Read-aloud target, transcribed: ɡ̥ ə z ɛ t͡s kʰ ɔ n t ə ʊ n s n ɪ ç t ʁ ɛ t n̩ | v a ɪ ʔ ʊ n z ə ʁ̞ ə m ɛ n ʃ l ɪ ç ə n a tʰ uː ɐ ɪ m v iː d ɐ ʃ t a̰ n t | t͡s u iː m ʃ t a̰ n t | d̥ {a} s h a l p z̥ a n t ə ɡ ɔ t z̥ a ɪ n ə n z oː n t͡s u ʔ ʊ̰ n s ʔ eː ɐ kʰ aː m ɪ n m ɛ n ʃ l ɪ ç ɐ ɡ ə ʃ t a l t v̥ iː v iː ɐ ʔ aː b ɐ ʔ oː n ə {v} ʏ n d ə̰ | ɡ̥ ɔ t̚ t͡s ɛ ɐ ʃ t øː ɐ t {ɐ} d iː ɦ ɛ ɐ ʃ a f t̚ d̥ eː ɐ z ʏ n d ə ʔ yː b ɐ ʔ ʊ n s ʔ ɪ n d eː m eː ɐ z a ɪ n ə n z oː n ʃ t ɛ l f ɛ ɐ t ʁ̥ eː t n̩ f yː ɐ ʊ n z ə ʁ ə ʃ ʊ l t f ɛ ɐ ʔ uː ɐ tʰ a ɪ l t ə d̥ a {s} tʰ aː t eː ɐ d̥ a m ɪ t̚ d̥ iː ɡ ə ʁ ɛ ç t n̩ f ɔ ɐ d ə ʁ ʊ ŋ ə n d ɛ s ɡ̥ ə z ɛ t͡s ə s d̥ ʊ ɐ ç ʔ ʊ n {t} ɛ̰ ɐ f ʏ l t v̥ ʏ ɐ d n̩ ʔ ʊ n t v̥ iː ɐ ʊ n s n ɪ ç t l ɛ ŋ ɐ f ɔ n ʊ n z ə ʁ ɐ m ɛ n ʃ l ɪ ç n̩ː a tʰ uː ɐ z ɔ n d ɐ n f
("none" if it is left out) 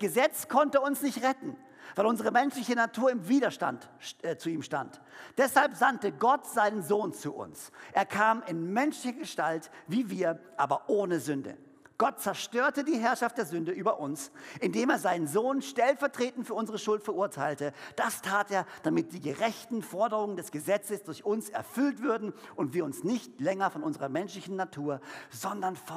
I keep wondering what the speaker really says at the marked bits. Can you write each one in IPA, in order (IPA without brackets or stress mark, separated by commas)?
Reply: ɛ, z, ə, s, s